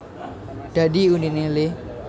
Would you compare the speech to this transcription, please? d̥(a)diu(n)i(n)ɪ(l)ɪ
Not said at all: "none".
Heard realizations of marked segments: a, n, n, l

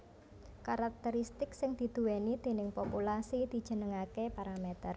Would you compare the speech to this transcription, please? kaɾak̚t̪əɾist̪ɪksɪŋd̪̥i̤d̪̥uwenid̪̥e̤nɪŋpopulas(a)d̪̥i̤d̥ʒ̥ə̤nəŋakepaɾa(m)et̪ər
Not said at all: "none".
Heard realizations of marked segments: i, m

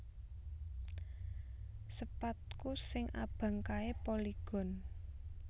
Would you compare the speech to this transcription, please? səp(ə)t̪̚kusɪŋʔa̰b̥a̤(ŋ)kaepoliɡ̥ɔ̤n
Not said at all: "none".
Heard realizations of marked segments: a, ŋ

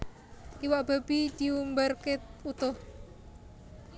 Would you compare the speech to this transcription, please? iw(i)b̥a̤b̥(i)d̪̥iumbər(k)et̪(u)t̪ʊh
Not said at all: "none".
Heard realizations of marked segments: a, i, k, u

